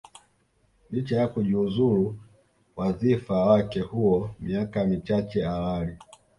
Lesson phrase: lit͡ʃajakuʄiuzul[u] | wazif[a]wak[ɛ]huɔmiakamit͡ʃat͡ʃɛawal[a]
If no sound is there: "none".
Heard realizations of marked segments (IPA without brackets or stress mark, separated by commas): u, a, ɛ, i